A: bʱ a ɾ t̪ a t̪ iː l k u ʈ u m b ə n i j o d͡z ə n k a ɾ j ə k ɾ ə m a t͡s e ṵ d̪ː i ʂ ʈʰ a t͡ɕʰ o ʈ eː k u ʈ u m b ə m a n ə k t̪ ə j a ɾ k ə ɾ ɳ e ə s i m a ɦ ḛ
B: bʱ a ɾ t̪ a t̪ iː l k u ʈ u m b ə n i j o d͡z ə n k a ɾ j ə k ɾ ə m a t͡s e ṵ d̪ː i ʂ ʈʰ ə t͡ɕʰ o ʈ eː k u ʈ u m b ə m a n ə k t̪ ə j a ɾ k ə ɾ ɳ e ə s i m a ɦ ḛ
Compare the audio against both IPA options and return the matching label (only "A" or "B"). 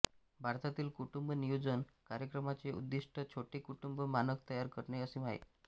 B